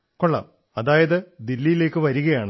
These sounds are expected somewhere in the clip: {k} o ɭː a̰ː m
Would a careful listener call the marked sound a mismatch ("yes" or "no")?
no